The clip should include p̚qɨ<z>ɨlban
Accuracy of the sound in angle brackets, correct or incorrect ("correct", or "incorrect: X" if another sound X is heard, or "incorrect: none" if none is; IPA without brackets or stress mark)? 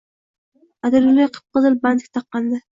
correct